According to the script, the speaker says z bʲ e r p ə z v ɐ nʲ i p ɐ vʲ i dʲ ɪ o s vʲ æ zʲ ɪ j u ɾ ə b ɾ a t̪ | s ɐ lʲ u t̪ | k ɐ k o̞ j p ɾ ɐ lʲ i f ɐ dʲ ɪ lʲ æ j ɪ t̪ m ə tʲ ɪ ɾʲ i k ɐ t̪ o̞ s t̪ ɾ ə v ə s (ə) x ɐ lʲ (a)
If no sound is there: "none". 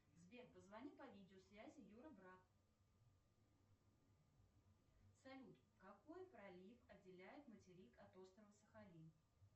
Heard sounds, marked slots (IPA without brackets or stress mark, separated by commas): ə, i